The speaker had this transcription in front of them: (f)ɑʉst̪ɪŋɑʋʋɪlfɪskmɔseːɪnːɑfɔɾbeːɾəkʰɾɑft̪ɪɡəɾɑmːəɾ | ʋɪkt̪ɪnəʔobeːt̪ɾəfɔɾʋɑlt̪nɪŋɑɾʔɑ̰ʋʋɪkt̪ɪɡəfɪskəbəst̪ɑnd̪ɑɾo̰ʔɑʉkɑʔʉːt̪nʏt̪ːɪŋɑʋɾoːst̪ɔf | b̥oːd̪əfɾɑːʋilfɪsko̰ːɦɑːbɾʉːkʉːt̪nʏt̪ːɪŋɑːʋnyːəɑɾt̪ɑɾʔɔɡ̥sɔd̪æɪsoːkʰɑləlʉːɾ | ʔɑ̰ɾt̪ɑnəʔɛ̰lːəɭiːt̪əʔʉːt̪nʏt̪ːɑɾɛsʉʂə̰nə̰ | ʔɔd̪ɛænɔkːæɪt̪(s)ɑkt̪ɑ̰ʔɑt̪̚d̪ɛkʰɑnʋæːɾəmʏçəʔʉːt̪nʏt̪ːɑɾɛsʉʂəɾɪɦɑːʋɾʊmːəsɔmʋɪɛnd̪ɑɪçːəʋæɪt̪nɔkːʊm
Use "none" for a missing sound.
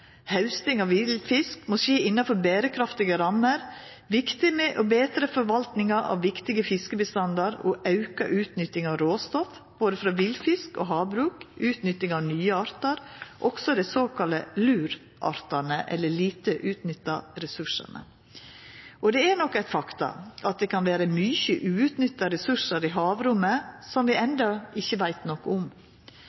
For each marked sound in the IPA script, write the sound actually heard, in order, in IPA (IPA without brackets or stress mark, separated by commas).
h, f